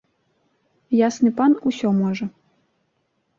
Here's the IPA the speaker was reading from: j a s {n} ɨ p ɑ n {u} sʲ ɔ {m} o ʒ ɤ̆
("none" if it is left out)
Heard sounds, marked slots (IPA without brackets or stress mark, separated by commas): n, u, m